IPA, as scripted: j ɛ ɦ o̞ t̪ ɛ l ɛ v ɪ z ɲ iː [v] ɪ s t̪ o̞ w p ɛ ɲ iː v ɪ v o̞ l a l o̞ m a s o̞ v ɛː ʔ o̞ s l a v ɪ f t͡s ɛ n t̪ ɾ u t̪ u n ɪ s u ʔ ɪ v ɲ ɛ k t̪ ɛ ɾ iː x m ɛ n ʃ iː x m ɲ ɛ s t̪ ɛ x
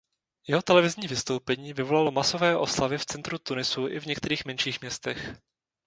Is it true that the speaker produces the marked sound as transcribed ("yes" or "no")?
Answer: yes